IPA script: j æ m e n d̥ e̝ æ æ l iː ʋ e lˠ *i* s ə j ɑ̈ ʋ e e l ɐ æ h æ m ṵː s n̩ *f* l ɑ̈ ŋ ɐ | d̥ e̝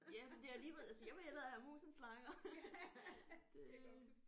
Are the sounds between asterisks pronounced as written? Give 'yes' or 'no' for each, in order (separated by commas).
no, no